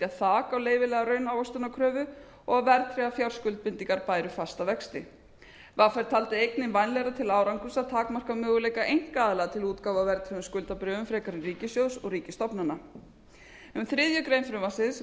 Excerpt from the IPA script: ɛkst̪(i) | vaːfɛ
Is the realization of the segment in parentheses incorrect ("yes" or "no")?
yes